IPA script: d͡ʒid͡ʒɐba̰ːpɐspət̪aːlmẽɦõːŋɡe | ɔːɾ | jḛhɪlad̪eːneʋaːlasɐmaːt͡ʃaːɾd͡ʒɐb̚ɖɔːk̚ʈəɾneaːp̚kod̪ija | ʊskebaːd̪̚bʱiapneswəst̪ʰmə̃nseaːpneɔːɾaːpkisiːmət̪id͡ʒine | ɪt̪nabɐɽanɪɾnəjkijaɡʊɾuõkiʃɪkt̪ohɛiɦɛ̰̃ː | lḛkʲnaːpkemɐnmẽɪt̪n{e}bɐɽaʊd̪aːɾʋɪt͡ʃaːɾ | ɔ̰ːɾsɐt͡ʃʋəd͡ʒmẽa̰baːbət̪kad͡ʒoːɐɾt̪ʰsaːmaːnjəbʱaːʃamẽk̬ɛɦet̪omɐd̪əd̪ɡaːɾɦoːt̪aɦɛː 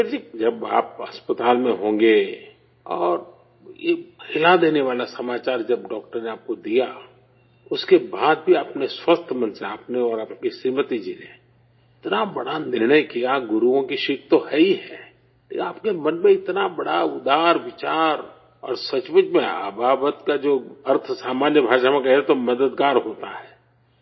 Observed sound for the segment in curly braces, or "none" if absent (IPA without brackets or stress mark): a